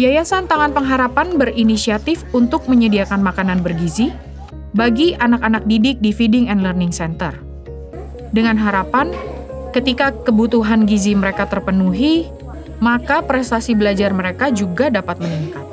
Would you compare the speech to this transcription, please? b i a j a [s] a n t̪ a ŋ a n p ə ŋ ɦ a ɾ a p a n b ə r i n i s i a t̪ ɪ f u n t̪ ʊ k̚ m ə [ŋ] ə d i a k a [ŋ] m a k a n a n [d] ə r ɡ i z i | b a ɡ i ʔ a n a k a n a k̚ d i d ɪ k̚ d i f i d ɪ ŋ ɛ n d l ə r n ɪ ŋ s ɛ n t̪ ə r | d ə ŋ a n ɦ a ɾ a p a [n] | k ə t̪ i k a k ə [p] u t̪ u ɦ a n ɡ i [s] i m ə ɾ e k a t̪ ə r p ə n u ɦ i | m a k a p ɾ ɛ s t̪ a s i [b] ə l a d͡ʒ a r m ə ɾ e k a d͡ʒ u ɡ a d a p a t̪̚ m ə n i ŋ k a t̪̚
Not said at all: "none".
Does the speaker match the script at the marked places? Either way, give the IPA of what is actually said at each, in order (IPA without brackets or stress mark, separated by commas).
s, ɲ, n, b, n, b, z, b